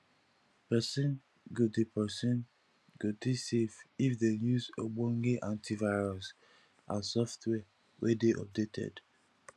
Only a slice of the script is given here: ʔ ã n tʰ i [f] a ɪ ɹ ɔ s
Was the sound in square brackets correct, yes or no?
no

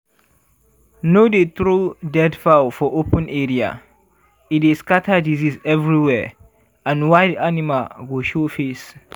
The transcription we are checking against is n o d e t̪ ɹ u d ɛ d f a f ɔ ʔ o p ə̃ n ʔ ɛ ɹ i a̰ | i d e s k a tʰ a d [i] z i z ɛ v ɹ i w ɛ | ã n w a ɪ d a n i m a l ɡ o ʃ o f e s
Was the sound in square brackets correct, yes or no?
yes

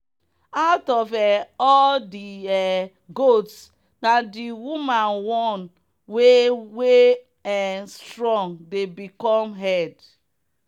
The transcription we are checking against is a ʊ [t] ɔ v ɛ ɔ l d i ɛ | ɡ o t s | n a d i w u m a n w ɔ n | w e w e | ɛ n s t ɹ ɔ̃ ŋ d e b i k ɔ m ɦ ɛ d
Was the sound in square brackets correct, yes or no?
yes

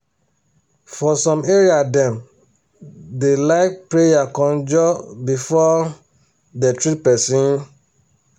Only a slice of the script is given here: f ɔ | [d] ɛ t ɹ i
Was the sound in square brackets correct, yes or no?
yes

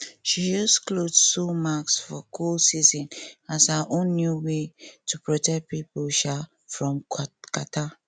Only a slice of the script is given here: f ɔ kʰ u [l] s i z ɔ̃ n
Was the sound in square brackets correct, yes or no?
yes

